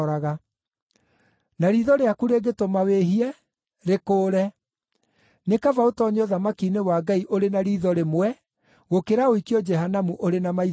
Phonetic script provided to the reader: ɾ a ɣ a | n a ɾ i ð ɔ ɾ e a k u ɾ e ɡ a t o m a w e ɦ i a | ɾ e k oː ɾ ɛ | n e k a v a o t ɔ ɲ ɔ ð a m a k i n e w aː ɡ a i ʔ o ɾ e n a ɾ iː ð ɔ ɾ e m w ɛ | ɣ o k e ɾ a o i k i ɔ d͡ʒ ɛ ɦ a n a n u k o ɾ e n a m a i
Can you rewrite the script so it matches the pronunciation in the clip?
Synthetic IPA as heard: ɾ a ɣ a | n a ɾ i ð ɔ ɾ e a k u ɾ e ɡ e t o m a w e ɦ i ɛ | ɾ e k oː ɾ ɛ | n e k a v a o t ɔ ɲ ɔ ð a m a k i n e w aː ɡ a i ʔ o ɾ e n a ɾ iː ð ɔ ɾ e m w ɛ | ɣ o k e ɾ a o i k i ɔ d͡ʒ ɛ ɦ a n a m u ʔ o ɾ e n a m a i